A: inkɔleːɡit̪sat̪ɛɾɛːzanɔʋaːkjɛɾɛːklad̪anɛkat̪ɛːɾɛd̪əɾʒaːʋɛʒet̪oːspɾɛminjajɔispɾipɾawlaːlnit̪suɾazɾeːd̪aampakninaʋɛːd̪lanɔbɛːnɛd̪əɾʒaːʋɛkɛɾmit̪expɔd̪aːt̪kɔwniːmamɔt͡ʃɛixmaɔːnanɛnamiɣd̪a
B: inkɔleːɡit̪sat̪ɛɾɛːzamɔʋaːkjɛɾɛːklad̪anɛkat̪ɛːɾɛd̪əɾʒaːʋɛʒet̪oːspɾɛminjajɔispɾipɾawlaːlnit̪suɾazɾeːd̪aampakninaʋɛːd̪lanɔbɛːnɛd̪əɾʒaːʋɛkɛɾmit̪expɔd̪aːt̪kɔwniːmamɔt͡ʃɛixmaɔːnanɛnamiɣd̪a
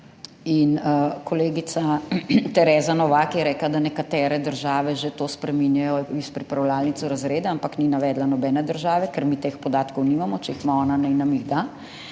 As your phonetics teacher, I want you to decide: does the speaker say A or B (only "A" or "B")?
A